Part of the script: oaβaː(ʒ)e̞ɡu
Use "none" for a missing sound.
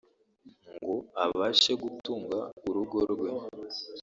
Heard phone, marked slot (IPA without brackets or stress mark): ʃ